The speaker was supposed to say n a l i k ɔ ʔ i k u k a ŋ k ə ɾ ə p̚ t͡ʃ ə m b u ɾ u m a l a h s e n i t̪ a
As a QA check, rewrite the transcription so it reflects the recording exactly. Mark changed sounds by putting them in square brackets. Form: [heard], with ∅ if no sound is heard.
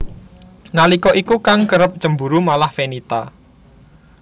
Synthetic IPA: n a l i k ɔ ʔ i k u k a ŋ k ə ɾ ə p̚ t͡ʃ ə m b u ɾ u m a l a h [f] e n i t̪ a